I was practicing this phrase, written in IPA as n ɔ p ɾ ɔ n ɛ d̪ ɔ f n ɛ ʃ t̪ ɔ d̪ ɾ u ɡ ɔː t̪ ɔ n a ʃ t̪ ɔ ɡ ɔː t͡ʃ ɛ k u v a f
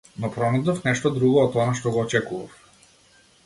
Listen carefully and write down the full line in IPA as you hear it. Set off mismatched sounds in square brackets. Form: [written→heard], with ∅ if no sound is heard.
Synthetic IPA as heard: n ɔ p ɾ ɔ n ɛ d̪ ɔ f n ɛ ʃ t̪ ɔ d̪ ɾ u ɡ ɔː t̪ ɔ n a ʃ t̪ ɔ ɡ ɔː t͡ʃ ɛ k u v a f